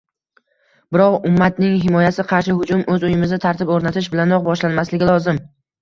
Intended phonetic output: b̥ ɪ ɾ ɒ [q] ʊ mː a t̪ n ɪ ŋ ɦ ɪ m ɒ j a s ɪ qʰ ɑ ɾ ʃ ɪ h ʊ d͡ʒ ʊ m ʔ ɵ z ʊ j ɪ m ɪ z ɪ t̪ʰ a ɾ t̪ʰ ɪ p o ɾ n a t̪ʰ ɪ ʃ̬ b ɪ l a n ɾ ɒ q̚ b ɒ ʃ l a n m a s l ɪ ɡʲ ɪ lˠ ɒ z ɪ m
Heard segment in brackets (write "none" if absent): q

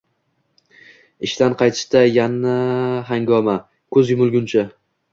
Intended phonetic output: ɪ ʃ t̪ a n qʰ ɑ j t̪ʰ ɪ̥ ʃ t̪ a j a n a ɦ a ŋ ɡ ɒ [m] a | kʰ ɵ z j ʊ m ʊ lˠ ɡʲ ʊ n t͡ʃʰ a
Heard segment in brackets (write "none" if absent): m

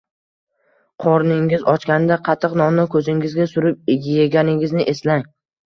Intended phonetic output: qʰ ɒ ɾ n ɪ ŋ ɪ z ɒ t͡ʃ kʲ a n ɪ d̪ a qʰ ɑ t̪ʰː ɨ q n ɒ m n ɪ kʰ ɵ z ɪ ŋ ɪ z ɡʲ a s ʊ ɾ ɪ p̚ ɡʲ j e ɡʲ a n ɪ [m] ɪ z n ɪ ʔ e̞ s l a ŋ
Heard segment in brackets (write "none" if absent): ŋ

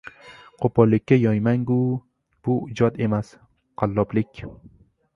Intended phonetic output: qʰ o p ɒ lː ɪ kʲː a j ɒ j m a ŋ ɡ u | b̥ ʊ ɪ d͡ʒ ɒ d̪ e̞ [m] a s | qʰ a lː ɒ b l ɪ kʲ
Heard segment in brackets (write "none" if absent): m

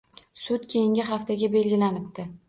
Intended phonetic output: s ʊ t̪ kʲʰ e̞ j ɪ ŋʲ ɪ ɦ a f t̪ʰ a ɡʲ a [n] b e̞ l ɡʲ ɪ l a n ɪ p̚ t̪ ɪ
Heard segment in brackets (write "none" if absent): none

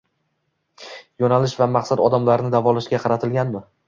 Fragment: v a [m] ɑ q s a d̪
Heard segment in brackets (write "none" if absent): m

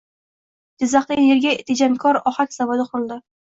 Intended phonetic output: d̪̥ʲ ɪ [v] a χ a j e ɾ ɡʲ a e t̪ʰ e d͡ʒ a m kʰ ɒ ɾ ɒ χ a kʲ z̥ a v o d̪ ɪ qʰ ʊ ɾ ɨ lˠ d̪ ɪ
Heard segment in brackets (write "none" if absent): z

